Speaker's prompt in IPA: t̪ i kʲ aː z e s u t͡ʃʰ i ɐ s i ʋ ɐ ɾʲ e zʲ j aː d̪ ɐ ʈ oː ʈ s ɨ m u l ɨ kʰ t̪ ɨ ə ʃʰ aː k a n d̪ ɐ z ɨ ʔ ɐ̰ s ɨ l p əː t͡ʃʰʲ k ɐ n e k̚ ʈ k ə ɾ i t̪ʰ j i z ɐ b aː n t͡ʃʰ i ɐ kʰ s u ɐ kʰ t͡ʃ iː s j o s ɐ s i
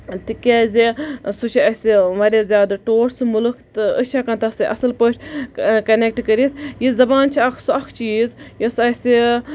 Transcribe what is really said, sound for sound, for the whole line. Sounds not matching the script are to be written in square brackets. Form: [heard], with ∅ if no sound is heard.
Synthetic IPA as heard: t̪ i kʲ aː z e s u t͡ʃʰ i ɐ s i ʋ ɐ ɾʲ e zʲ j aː d̪ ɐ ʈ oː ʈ s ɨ m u l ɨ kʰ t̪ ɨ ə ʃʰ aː k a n [t̪] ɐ [s] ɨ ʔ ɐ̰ s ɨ l p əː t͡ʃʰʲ k ɐ n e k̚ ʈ k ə ɾ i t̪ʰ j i z ɐ b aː n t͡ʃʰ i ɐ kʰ s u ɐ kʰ t͡ʃ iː [z] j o s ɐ s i